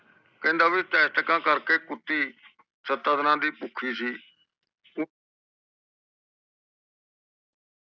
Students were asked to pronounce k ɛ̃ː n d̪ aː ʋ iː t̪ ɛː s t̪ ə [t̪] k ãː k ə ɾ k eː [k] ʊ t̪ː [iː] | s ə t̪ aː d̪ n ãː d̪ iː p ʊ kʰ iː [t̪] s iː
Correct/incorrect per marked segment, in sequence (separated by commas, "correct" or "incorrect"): incorrect, correct, correct, incorrect